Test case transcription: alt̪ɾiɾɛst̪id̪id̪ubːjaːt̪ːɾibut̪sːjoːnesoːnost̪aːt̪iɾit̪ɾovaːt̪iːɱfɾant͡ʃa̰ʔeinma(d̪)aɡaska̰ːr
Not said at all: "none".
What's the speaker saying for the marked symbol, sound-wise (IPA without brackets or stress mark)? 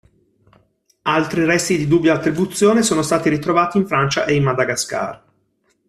d̪